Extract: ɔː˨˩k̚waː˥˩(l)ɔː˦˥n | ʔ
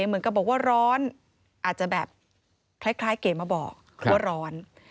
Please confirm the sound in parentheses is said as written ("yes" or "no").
no